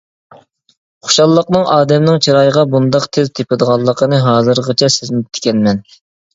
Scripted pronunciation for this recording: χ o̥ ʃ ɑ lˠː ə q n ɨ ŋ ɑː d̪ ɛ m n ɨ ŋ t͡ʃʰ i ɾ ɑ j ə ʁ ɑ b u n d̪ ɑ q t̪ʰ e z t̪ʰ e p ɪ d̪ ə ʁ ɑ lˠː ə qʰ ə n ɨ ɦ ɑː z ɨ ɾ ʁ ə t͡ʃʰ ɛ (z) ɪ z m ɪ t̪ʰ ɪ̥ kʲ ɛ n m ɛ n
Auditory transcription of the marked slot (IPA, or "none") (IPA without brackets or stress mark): s